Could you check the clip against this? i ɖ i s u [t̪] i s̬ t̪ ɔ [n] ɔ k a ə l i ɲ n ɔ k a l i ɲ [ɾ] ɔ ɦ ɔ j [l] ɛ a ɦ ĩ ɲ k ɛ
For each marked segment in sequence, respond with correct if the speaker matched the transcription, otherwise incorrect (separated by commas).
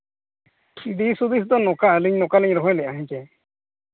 incorrect, correct, correct, correct